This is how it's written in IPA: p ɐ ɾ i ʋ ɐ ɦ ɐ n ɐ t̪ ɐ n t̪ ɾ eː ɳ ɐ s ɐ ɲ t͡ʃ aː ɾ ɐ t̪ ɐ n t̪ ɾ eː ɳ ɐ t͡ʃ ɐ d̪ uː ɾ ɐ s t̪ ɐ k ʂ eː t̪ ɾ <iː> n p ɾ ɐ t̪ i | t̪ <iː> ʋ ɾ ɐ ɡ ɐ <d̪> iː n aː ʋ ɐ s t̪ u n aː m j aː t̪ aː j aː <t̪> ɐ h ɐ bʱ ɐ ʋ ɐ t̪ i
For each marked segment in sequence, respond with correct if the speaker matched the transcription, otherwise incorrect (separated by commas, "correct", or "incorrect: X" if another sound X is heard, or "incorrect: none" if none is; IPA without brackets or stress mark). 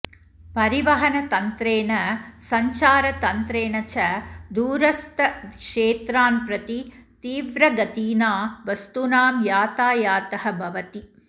incorrect: aː, correct, incorrect: t̪, correct